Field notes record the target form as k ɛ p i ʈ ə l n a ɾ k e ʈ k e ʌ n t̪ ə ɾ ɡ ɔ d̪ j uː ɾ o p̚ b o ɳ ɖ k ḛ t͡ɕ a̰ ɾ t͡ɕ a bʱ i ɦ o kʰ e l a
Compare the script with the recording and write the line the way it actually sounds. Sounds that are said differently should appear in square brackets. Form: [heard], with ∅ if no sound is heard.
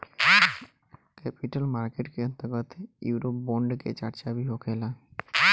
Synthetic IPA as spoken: k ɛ p i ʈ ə l [m] a ɾ k e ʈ k e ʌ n t̪ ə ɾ ɡ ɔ [t̪] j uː ɾ o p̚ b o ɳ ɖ k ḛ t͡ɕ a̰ ɾ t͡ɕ a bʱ i ɦ o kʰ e l a